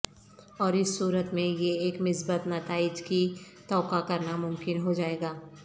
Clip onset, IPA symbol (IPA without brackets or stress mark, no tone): ɔː